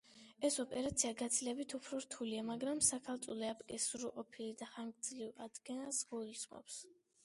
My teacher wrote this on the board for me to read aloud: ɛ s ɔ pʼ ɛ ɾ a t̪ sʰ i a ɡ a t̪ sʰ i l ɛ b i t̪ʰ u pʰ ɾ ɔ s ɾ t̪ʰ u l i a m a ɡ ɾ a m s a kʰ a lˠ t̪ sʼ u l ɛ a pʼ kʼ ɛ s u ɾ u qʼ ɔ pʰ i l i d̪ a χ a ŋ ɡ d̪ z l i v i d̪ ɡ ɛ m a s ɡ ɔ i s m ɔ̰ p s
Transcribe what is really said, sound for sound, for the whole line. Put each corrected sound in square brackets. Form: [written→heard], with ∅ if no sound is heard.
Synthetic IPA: ɛ s ɔ pʼ ɛ ɾ a t̪ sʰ i a ɡ a t̪ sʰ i l ɛ b i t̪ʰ u pʰ ɾ ɔ [s→∅] ɾ t̪ʰ u l i a m a ɡ ɾ a m s a kʰ a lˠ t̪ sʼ u l ɛ a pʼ kʼ ɛ s u ɾ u qʼ ɔ pʰ i l i d̪ a χ a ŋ ɡ d̪ z l i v [i→a] d̪ ɡ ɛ [m→n] a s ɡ ɔ i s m ɔ̰ p s